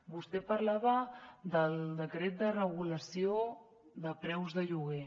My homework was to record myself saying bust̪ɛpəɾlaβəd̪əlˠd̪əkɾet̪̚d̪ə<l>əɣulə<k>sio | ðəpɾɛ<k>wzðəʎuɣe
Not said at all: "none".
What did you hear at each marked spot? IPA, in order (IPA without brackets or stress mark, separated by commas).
r, none, none